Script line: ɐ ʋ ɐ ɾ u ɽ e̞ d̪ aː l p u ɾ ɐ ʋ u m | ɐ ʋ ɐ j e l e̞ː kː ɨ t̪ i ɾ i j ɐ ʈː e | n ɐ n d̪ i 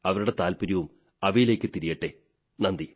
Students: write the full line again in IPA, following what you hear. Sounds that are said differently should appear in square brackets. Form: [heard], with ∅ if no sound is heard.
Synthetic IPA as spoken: ɐ ʋ ɐ ɾ u ɽ e̞ [t̪] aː l p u ɾ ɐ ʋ u m | ɐ ʋ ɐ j [i] l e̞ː kː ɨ t̪ i ɾ i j ɐ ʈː e | n ɐ n d̪ i